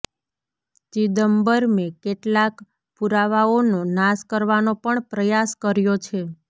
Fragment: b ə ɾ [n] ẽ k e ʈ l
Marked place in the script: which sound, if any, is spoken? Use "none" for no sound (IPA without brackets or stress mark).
m